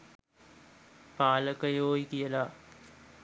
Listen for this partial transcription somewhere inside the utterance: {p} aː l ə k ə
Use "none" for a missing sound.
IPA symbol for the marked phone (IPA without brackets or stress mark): p